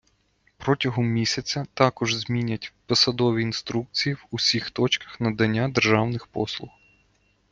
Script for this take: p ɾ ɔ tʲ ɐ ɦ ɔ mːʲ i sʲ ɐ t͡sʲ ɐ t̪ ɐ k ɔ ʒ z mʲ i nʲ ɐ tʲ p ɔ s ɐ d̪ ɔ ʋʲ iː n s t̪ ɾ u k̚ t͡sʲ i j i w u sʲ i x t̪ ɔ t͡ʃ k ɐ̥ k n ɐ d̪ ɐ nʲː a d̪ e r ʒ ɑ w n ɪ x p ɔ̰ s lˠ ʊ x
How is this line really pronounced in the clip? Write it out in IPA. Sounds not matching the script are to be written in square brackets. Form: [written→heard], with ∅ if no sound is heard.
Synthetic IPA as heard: p ɾ ɔ tʲ ɐ ɦ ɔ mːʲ i sʲ ɐ t͡sʲ ɐ t̪ [ɐ→ɑ] k ɔ ʒ z mʲ i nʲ ɐ tʲ p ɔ s ɐ d̪ ɔ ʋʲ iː n s t̪ ɾ u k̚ t͡sʲ i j i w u sʲ i x t̪ ɔ t͡ʃ k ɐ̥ [k→x] n ɐ d̪ ɐ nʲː a d̪ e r ʒ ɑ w n ɪ x p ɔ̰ s lˠ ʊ x

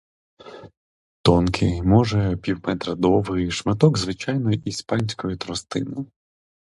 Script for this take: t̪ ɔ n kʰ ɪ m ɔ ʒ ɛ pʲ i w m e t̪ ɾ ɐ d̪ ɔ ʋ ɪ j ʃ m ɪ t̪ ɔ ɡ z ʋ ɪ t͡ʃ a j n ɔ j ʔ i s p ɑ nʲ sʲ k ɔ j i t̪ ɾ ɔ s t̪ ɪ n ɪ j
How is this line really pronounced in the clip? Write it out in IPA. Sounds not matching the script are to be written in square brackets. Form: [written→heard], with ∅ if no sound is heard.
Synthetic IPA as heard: t̪ ɔ n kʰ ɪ m ɔ ʒ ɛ pʲ i w m [e→ɛ] t̪ ɾ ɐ d̪ ɔ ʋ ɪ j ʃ m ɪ t̪ ɔ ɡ z ʋ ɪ t͡ʃ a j n ɔ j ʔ i s p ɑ nʲ sʲ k ɔ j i t̪ ɾ ɔ s t̪ ɪ n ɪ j

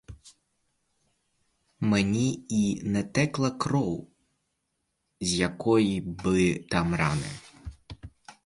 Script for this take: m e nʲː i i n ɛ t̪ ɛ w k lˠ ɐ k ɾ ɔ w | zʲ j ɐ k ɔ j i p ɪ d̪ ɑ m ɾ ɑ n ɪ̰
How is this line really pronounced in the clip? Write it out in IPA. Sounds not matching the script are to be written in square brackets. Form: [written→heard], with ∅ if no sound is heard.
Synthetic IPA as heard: m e [nʲː→nʲ] i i n ɛ t̪ ɛ [w→∅] k lˠ ɐ k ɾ ɔ w | zʲ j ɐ k ɔ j i [p→b] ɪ [d̪→t̪] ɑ m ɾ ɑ n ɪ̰

